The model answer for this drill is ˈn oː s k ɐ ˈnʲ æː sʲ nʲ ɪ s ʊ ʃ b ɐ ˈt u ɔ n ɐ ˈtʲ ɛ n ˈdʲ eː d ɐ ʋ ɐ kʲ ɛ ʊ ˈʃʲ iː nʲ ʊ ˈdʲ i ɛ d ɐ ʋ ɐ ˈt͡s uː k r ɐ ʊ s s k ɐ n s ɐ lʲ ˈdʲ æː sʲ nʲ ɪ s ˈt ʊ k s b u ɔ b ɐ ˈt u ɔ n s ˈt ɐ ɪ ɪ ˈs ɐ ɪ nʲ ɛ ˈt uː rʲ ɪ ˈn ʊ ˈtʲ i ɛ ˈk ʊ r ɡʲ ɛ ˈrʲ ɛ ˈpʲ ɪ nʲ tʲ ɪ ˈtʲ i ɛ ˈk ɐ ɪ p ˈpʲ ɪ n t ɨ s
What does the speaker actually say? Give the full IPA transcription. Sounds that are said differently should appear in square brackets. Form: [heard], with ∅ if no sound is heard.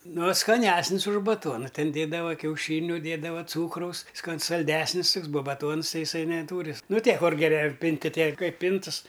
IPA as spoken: ˈn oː s k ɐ ˈnʲ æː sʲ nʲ ɪ s ʊ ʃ b ɐ ˈt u ɔ n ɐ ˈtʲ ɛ n ˈdʲ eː d ɐ ʋ ɐ kʲ ɛ ʊ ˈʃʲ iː nʲ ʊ ˈdʲ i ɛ d ɐ ʋ ɐ ˈt͡s uː k r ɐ ʊ s s k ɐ n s ɐ lʲ ˈdʲ æː sʲ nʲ ɪ s ˈt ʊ k s b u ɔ b ɐ ˈt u ɔ n s ˈt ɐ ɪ ɪ ˈs ɐ ɪ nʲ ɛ ˈt uː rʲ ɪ ˈn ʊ ˈtʲ i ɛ ˈk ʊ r ɡʲ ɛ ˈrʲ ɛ ˈpʲ ɪ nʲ tʲ ɪ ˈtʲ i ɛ ˈk ɐ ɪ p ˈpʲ ɪ n t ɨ s